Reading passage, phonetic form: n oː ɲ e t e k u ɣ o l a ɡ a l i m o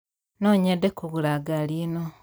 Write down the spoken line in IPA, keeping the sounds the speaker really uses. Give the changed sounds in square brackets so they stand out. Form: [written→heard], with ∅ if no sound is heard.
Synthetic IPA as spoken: n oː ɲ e [t→d] e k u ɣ [o→u] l a ɡ a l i [m→n] o